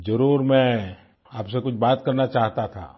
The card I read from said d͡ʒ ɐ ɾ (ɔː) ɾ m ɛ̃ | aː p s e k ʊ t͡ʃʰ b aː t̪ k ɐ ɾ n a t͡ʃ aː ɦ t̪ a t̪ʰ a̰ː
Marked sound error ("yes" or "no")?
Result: yes